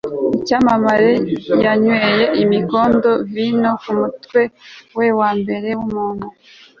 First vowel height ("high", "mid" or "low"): high